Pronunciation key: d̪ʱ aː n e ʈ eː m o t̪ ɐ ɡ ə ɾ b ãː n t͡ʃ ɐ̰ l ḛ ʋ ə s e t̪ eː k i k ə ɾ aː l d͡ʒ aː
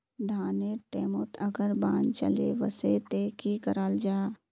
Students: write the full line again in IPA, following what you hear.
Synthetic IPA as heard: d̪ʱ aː n e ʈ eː m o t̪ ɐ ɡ ə ɾ b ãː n t͡ʃ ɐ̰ l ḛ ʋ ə s e t̪ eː k i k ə ɾ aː l d͡ʒ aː